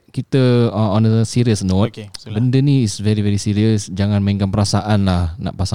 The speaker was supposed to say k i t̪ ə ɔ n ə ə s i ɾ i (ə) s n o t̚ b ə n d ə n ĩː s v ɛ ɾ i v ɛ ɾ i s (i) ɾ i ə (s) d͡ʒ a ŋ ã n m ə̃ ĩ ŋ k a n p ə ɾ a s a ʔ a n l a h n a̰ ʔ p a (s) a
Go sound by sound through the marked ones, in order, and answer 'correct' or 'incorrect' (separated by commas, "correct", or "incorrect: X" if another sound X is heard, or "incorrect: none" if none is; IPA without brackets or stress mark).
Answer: correct, correct, correct, correct